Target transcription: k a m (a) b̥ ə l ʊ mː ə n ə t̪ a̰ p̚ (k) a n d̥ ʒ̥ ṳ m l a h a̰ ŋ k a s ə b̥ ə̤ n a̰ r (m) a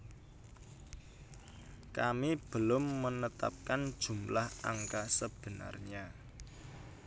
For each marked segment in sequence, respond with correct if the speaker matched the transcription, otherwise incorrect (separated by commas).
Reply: incorrect, correct, incorrect